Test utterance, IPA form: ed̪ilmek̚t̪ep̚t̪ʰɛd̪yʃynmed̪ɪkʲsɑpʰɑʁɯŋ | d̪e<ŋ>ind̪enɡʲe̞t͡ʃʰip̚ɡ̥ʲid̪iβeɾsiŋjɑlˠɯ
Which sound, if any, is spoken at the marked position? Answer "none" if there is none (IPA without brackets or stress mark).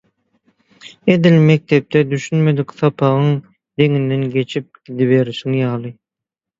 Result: ŋ